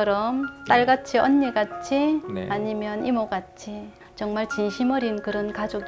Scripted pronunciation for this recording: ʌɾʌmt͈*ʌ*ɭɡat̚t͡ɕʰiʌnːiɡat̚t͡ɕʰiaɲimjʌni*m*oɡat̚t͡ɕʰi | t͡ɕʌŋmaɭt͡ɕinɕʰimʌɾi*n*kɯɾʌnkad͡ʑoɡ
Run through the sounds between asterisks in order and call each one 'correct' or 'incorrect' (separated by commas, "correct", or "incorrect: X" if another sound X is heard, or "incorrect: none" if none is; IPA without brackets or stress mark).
incorrect: a, correct, correct